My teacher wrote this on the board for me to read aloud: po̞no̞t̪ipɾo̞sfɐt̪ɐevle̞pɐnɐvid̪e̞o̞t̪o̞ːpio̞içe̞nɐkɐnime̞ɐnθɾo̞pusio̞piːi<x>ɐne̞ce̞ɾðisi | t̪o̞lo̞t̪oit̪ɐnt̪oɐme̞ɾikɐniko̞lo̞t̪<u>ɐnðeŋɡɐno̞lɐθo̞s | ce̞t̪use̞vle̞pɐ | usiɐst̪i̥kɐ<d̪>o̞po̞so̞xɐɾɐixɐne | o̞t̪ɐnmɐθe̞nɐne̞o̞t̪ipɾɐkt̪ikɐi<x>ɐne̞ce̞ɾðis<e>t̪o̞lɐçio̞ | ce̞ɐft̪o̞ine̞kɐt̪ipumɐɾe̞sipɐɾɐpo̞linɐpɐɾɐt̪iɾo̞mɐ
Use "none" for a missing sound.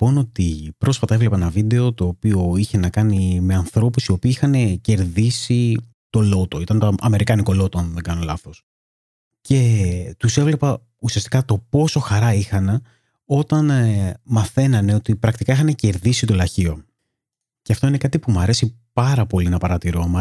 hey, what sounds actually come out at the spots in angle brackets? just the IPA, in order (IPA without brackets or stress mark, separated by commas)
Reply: x, o, t̪, x, i